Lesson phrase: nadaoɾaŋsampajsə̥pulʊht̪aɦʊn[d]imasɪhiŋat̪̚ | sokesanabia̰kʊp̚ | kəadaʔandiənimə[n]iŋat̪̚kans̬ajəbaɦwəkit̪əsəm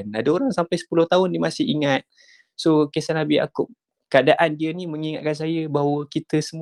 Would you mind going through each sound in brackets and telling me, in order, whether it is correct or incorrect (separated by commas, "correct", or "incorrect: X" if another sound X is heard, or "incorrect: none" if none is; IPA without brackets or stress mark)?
correct, incorrect: ŋ